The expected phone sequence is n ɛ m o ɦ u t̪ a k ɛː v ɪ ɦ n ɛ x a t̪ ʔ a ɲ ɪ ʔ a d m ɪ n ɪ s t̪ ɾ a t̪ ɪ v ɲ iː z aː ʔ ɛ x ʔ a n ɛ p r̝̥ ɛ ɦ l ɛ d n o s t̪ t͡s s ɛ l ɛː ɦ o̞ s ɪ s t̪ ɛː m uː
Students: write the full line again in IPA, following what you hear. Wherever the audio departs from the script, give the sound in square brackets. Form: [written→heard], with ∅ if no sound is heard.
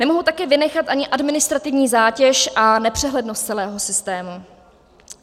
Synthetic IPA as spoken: n ɛ m o ɦ u t̪ a k ɛː v ɪ [ɦ→∅] n ɛ x a t̪ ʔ a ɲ ɪ ʔ a d m ɪ n ɪ s t̪ ɾ a t̪ ɪ v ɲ iː z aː [ʔ→c] ɛ [x→ʃ] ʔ a n ɛ p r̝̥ ɛ ɦ l ɛ d n o s t̪ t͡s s ɛ l ɛː ɦ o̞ s ɪ s t̪ ɛː m [uː→u]